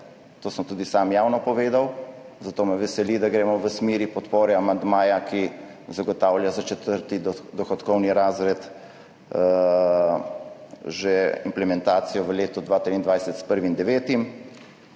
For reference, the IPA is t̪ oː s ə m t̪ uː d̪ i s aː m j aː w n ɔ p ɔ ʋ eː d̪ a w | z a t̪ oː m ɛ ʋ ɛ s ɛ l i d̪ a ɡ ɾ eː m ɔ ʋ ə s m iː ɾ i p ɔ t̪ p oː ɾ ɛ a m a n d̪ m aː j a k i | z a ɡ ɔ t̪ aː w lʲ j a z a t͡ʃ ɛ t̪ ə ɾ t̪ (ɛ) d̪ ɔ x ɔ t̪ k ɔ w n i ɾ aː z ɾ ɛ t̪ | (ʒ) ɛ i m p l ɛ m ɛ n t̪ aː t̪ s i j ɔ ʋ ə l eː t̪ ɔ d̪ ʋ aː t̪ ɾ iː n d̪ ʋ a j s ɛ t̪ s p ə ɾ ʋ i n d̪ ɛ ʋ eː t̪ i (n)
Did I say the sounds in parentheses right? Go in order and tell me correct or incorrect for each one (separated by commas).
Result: incorrect, correct, incorrect